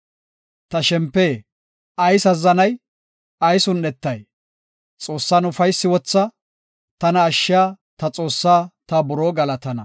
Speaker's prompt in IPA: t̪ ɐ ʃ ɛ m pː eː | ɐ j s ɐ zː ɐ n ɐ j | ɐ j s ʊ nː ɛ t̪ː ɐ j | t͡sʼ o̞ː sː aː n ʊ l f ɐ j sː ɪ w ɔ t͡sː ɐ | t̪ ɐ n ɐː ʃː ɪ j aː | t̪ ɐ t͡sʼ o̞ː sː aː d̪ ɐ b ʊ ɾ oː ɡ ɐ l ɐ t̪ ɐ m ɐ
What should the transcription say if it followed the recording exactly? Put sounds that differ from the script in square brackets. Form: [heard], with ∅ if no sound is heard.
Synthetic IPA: t̪ ɐ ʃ ɛ m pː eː | ɐ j s ɐ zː ɐ n ɐ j | ɐ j s ʊ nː ɛ t̪ː ɐ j | t͡sʼ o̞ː sː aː n ʊ [∅] f ɐ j sː ɪ w ɔ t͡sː ɐ | t̪ ɐ n ɐː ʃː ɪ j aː | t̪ ɐ t͡sʼ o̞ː sː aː [t̪] ɐ b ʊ ɾ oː ɡ ɐ l ɐ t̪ ɐ [n] ɐ

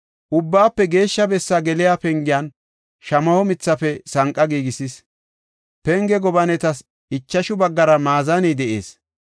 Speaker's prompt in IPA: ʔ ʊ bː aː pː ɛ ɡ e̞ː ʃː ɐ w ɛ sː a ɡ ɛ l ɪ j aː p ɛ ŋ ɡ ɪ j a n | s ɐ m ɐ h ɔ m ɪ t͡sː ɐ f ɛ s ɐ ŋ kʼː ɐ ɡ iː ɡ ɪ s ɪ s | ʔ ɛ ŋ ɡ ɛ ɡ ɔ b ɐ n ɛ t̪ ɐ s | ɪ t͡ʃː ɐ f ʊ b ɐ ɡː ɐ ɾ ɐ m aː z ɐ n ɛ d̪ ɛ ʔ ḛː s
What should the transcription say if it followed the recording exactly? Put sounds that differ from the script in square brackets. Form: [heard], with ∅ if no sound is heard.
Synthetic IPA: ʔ ʊ bː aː pː ɛ ɡ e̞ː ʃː ɐ [b] ɛ sː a ɡ ɛ l ɪ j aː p ɛ ŋ ɡ ɪ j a n | [ʃ] ɐ m ɐ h ɔ m ɪ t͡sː ɐ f ɛ s ɐ ŋ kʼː ɐ ɡ iː ɡ ɪ s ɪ s | [p] ɛ ŋ ɡ ɛ ɡ ɔ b ɐ n ɛ t̪ ɐ s | ɪ t͡ʃː ɐ [ʃ] ʊ b ɐ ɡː ɐ ɾ ɐ m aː z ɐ n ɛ d̪ ɛ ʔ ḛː s

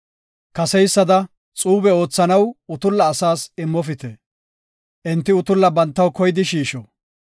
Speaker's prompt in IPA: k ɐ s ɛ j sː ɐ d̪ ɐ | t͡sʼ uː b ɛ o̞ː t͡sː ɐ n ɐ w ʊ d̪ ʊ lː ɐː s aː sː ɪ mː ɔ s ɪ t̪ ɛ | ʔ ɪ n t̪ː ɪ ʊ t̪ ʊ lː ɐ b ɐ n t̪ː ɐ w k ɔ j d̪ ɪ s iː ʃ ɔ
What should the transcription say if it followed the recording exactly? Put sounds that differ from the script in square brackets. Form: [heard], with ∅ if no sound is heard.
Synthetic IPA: k ɐ s ɛ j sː ɐ d̪ ɐ | t͡sʼ uː b ɛ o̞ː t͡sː ɐ n ɐ w ʊ [t̪] ʊ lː ɐː s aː [s] ɪ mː ɔ [f] ɪ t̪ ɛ | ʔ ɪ n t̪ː ɪ ʊ t̪ ʊ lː ɐ b ɐ n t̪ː ɐ w k ɔ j d̪ ɪ [ʃ] iː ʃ ɔ

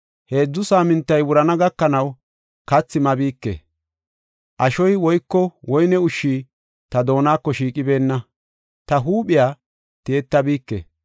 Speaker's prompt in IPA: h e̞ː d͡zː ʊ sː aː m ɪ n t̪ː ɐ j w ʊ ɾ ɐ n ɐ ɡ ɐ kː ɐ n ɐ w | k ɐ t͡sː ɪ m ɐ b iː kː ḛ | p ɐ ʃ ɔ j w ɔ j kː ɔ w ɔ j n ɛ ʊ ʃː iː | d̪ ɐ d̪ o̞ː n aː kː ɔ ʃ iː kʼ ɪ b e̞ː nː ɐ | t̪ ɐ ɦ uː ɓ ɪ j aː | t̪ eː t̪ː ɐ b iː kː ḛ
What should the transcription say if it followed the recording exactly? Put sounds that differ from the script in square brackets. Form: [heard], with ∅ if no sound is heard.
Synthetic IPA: h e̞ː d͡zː ʊ [s] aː m ɪ n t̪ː ɐ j w ʊ ɾ ɐ n ɐ ɡ ɐ kː ɐ n ɐ w | k ɐ t͡sː ɪ m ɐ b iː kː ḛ | [ʔ] ɐ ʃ ɔ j w ɔ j kː ɔ w ɔ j n ɛ ʊ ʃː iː | [t̪] ɐ d̪ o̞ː n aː kː ɔ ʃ iː kʼ ɪ b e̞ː nː ɐ | t̪ ɐ ɦ uː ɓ ɪ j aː | t̪ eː t̪ː ɐ b iː kː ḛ

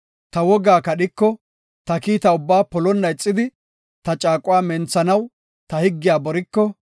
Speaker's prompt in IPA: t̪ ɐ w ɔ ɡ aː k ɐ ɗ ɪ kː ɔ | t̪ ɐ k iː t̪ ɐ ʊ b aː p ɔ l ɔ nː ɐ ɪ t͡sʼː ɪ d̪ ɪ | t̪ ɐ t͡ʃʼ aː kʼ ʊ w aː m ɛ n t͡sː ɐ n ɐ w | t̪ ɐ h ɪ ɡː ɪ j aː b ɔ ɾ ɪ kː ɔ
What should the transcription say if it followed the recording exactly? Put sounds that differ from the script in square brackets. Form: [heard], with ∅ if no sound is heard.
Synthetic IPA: t̪ ɐ w ɔ ɡ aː k ɐ ɗ ɪ kː ɔ | t̪ ɐ k iː t̪ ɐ ʊ [bː] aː p ɔ l ɔ nː ɐ ɪ t͡sʼː ɪ d̪ ɪ | t̪ ɐ t͡ʃʼ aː kʼ ʊ w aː m ɛ n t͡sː ɐ n ɐ w | t̪ ɐ h ɪ ɡː ɪ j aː b ɔ ɾ ɪ kː ɔ

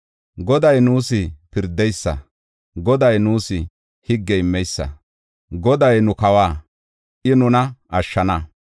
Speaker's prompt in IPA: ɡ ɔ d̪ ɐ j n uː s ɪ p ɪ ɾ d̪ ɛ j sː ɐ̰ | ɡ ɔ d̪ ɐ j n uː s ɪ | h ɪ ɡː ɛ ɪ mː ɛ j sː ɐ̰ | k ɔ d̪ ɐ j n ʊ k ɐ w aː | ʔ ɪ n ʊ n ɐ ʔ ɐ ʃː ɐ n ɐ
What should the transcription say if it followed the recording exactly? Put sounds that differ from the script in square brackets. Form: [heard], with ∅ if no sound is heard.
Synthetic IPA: ɡ ɔ d̪ ɐ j n uː s ɪ p ɪ ɾ d̪ ɛ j sː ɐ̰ | ɡ ɔ d̪ ɐ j n uː s ɪ | h ɪ ɡː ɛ ɪ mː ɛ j sː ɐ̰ | [ɡ] ɔ d̪ ɐ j n ʊ k ɐ w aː | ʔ ɪ n ʊ n ɐ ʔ ɐ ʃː ɐ n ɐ

